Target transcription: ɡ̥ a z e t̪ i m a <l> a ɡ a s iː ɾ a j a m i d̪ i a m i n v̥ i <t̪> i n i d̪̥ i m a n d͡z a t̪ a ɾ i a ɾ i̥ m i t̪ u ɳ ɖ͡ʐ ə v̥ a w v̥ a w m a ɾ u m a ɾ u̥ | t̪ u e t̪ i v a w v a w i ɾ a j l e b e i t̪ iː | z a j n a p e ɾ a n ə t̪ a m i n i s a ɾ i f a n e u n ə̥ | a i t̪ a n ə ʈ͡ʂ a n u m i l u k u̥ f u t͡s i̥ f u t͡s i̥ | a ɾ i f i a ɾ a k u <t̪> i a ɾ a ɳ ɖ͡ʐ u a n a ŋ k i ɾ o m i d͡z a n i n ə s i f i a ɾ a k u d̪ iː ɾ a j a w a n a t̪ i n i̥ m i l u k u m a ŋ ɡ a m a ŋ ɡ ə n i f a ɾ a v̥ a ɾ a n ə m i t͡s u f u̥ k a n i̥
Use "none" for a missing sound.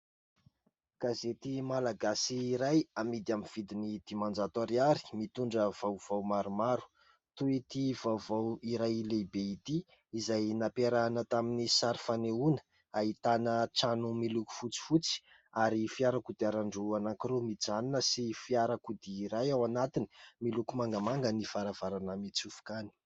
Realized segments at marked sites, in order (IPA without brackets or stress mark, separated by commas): l, d̪, d̪